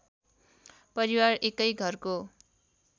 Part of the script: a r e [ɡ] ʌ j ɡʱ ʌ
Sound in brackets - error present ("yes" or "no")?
yes